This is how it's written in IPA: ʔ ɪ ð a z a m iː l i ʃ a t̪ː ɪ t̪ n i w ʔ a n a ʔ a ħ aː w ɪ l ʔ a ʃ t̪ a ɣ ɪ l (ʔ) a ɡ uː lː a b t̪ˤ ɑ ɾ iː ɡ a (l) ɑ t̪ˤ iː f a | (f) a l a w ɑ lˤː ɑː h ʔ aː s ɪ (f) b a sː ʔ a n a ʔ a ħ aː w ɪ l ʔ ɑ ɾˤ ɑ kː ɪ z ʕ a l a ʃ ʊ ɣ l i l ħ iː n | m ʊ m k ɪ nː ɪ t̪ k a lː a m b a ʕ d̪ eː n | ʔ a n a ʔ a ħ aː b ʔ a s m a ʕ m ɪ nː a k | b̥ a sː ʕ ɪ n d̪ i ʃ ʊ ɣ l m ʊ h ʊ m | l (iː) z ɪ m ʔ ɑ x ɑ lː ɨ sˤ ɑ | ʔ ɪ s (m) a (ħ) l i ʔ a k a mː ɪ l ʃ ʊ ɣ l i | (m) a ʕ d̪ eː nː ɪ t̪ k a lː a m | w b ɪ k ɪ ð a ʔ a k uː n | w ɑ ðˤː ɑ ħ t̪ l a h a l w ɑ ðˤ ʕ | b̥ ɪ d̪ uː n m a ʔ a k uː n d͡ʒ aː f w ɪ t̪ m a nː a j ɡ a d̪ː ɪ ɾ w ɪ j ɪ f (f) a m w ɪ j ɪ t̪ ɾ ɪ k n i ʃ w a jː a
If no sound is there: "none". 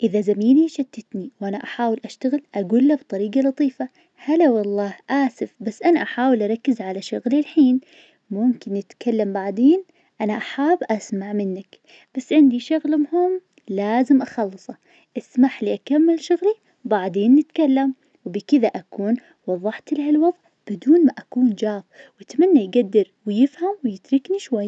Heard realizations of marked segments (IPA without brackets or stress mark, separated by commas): ʔ, l, h, f, aː, m, ħ, b, h